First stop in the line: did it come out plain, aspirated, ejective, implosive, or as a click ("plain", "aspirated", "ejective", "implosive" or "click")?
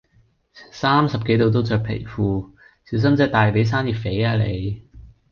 plain